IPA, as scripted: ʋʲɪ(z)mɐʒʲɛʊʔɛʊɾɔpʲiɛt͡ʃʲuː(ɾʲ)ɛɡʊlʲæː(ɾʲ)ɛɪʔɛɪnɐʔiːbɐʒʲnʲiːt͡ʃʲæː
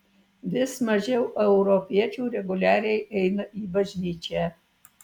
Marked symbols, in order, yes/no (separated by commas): no, yes, yes